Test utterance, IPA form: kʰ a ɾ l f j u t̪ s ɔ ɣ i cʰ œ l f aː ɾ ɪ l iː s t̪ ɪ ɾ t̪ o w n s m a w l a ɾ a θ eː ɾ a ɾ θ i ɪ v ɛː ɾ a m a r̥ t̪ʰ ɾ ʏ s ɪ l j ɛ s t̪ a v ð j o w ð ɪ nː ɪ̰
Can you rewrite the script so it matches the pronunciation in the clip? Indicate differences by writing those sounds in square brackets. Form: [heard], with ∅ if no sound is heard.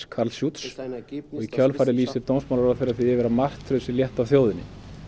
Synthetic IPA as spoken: kʰ a ɾ l [s] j u t̪ s ɔ ɣ i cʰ œ l f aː ɾ ɪ l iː s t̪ ɪ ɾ t̪ o w n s m a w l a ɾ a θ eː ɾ a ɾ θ i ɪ v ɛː ɾ a m a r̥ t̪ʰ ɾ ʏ s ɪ l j ɛ [h] t̪ a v [θ] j o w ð ɪ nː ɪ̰